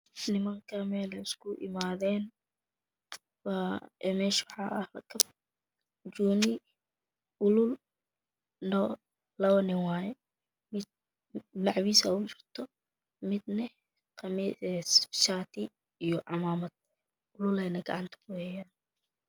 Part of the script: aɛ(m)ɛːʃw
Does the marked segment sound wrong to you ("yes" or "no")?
no